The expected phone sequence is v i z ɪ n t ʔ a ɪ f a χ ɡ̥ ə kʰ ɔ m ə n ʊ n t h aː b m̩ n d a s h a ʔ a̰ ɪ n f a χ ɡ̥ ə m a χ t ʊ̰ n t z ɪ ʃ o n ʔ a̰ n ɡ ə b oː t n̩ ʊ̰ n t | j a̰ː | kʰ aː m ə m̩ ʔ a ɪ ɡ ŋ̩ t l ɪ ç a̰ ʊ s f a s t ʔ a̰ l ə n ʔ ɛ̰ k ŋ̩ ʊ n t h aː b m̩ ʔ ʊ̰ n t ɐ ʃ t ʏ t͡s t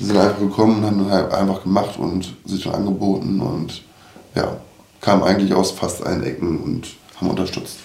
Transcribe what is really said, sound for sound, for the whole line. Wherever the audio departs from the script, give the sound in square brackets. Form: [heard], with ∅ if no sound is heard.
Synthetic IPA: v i z ɪ n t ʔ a ɪ f a χ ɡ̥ ə kʰ ɔ m ə n ʊ n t h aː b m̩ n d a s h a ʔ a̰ ɪ n f a χ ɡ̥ ə m a χ t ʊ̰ n t z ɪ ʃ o n ʔ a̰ n ɡ ə b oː t n̩ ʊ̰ n t | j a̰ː | kʰ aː m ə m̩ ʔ a ɪ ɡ ŋ̩ t l ɪ ç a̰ ʊ s f a s t ʔ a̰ l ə n ʔ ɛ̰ k ŋ̩ ʊ n t h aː b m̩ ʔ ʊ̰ n t ɐ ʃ t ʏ t͡s t